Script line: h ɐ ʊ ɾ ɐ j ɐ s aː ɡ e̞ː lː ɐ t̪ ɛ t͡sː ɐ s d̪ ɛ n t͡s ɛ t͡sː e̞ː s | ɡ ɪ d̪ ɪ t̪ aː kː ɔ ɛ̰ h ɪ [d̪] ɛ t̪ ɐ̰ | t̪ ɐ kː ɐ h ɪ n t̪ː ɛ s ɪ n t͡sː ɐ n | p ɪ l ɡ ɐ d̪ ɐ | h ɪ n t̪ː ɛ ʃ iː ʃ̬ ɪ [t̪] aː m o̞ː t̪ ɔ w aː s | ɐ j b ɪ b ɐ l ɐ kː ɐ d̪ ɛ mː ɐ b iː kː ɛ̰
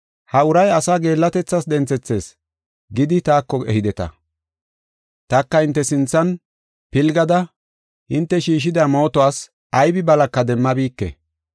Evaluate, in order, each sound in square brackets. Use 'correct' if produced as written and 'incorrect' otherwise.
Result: correct, incorrect

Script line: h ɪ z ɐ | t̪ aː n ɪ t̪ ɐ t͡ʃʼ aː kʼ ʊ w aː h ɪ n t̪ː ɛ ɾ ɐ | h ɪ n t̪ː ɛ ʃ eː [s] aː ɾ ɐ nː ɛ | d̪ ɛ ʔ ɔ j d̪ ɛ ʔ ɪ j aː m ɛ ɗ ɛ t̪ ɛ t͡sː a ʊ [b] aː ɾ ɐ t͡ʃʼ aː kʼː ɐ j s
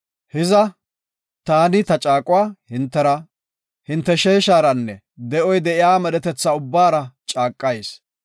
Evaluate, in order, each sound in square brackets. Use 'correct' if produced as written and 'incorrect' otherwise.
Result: incorrect, incorrect

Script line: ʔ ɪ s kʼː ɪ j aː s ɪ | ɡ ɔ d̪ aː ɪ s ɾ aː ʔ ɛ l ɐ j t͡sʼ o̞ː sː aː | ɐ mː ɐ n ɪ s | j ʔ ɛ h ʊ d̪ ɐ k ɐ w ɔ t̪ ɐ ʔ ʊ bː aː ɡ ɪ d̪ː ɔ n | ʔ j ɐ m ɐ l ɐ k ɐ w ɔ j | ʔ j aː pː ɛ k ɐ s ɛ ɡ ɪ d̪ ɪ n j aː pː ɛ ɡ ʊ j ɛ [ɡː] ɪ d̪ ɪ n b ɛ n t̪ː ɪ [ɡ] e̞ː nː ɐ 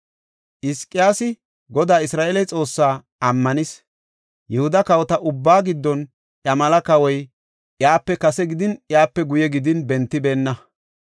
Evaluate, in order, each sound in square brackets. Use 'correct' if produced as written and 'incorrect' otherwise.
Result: incorrect, incorrect

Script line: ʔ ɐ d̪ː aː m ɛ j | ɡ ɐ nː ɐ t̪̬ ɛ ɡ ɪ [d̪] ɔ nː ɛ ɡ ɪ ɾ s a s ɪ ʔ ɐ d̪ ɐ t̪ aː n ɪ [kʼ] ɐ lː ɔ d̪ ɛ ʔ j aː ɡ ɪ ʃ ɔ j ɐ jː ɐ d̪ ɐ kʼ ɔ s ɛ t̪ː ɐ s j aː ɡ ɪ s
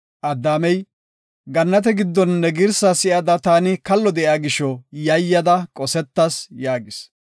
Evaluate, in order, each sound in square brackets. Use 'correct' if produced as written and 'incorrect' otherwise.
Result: incorrect, incorrect

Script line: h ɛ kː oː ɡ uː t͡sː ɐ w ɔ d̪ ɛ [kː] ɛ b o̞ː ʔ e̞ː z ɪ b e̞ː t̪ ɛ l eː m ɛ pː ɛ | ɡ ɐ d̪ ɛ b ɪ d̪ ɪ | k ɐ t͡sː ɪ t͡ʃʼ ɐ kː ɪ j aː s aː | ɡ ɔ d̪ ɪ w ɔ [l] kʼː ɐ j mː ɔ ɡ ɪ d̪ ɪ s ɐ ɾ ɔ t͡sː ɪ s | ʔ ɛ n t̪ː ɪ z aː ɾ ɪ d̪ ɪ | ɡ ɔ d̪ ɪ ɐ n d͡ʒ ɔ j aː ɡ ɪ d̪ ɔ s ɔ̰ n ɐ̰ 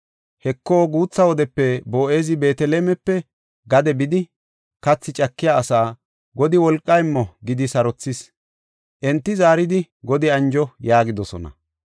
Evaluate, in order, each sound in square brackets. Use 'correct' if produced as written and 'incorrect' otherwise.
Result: incorrect, correct

